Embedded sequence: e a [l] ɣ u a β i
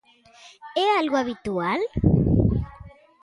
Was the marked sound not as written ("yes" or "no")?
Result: no